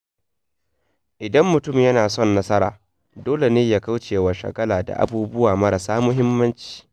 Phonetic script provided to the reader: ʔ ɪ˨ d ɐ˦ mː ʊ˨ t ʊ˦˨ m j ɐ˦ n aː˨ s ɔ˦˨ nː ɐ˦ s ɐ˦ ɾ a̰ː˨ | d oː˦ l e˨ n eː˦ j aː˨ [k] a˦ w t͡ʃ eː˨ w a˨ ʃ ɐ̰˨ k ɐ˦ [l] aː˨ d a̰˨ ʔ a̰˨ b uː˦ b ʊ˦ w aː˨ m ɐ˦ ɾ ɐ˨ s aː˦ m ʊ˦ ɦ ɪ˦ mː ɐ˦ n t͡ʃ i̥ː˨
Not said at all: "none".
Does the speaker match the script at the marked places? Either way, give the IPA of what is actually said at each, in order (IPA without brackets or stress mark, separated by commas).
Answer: k, l